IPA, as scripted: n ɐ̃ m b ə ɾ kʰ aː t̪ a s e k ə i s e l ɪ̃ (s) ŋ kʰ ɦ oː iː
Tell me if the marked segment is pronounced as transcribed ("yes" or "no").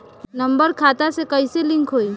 no